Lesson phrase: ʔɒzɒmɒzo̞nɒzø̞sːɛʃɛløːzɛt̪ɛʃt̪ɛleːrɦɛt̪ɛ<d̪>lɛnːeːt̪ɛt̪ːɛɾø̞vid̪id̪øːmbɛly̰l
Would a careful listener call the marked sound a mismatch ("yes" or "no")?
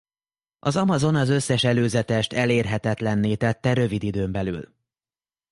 yes